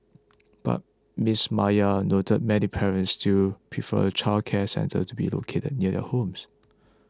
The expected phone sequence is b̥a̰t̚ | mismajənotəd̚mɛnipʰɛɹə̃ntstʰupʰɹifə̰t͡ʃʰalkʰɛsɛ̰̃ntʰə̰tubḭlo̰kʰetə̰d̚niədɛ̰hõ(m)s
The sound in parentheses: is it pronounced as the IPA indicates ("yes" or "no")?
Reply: yes